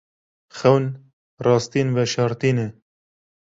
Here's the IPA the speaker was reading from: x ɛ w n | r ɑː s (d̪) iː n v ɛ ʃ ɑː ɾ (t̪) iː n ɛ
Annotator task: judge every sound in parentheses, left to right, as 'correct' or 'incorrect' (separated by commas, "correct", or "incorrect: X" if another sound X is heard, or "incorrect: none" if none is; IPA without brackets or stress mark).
incorrect: t̪, correct